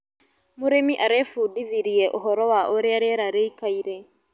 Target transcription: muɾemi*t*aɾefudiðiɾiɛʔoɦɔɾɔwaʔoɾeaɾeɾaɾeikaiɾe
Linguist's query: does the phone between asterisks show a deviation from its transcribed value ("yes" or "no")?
yes